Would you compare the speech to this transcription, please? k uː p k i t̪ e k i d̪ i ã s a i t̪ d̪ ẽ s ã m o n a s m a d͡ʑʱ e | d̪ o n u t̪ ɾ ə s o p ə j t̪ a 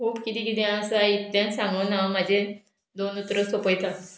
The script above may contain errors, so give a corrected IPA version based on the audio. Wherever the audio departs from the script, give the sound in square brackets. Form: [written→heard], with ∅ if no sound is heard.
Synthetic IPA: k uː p k i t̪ [e→i] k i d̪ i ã s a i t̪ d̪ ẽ s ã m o n a [s→∅] m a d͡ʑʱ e | d̪ o n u t̪ ɾ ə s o p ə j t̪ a